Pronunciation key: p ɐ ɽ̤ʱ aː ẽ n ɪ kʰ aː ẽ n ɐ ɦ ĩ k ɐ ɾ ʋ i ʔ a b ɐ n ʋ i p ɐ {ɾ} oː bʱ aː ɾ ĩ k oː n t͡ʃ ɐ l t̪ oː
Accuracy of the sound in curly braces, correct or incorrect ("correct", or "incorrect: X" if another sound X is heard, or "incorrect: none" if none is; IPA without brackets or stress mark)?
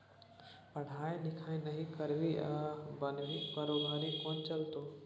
correct